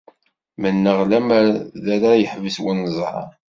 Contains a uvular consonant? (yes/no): yes